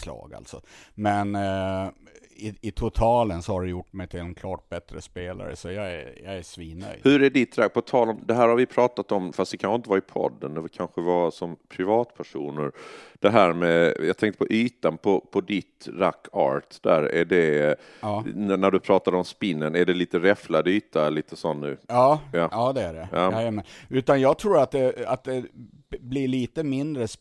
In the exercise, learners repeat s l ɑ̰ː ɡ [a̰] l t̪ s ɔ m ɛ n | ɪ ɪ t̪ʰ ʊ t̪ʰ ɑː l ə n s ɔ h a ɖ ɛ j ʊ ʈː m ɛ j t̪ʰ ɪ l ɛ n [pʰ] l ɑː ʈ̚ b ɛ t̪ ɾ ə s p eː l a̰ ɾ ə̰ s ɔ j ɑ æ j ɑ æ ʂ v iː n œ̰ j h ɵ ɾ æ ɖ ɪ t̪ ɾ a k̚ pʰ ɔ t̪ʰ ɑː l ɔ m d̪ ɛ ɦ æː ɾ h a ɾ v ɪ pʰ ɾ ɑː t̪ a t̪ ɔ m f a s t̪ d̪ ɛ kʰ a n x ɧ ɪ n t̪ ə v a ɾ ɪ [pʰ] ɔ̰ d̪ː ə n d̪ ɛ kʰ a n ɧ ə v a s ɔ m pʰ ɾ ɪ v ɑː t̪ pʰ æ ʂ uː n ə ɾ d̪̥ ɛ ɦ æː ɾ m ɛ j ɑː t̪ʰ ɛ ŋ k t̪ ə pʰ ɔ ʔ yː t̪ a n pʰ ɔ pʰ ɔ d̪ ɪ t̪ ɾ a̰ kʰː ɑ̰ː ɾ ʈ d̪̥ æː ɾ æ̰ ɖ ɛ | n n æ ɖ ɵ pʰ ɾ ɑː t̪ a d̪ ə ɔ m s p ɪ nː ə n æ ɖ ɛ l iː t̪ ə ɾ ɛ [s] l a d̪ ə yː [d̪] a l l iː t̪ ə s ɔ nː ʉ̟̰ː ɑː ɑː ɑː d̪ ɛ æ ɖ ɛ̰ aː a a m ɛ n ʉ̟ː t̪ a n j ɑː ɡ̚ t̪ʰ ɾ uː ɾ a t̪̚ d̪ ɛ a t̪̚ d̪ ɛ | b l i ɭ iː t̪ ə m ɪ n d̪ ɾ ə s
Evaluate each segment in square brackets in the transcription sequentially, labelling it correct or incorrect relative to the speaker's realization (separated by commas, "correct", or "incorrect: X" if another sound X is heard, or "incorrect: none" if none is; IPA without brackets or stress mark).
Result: correct, incorrect: kʰ, correct, incorrect: f, incorrect: t̪